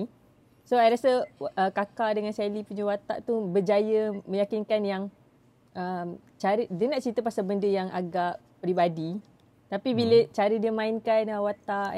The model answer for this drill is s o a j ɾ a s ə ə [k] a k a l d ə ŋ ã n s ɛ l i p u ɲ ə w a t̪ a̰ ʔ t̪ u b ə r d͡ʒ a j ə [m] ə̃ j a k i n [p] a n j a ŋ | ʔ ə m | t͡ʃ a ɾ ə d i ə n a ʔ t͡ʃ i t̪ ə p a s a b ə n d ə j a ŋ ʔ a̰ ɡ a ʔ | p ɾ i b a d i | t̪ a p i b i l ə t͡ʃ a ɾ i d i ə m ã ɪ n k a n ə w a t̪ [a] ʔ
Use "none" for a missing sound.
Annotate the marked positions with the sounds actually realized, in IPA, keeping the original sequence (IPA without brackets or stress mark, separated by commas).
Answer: k, m, k, a